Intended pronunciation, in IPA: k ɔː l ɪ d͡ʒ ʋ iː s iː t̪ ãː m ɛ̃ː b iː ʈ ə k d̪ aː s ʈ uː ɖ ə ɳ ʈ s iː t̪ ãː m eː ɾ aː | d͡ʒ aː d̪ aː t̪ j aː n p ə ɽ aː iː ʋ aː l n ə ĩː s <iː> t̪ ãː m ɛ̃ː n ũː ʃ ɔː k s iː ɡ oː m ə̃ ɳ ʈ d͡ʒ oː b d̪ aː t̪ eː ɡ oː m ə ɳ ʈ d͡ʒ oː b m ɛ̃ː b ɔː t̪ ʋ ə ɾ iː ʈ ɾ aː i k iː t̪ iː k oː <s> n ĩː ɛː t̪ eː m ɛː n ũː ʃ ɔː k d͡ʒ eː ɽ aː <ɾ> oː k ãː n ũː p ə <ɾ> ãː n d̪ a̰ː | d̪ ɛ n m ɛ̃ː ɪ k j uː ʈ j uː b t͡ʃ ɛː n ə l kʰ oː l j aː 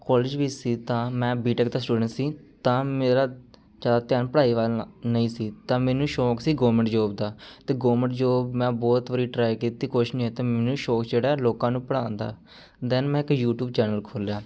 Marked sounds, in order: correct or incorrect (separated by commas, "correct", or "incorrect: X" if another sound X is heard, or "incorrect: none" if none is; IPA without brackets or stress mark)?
correct, incorrect: ʃ, incorrect: l, incorrect: ɽ